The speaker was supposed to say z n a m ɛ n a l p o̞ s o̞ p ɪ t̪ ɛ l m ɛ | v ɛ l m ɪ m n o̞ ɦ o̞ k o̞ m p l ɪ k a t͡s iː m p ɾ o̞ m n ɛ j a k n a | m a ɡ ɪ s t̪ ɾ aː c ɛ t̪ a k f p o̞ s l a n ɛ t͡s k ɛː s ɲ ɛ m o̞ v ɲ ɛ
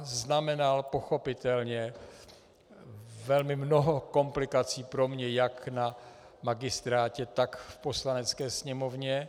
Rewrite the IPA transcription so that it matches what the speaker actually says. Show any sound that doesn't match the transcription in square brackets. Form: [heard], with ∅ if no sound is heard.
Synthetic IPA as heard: z n a m ɛ n a l p o̞ [x] o̞ p ɪ t̪ ɛ l [ɲ] ɛ | v ɛ l m ɪ m n o̞ ɦ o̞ k o̞ m p l ɪ k a t͡s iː [∅] p ɾ o̞ m [ɲ] ɛ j a k n a | m a ɡ ɪ s t̪ ɾ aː c ɛ t̪ a k f p o̞ s l a n ɛ t͡s k ɛː s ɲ ɛ m o̞ v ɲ ɛ